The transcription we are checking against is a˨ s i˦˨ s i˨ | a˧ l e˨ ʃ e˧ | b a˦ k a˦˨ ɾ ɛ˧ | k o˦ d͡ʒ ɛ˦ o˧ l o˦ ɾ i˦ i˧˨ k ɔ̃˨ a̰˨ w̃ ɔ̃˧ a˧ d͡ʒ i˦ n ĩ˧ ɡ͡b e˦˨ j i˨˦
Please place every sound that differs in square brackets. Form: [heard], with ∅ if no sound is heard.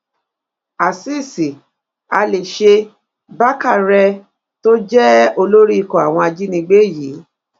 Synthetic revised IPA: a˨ s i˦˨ s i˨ | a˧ l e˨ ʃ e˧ | b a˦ k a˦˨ ɾ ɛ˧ | [t] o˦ d͡ʒ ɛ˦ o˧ l o˦ ɾ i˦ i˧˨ k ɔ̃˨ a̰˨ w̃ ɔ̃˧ a˧ d͡ʒ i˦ n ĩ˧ ɡ͡b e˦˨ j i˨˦